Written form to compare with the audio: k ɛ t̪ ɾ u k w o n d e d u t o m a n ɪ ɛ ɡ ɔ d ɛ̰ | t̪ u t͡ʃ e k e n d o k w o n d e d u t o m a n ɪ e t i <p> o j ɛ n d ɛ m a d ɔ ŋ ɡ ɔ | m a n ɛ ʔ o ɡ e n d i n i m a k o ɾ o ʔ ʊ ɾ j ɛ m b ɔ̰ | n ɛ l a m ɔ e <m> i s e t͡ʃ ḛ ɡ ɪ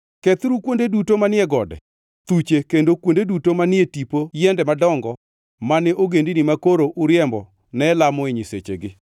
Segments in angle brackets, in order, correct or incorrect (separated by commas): correct, incorrect